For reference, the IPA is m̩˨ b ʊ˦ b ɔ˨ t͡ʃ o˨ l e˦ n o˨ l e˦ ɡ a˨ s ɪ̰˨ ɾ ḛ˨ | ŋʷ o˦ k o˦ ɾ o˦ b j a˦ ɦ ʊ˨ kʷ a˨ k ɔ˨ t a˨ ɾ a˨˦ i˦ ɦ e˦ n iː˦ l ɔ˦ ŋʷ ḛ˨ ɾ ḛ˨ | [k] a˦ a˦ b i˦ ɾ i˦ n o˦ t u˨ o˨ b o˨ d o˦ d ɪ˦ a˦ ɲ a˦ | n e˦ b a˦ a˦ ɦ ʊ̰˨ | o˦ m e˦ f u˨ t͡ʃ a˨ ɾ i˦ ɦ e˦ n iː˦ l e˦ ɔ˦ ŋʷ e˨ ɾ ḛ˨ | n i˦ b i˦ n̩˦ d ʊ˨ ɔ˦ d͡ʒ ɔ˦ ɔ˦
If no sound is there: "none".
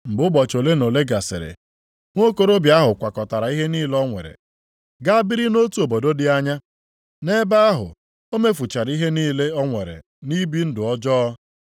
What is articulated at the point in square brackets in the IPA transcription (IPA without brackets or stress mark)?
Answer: ɡ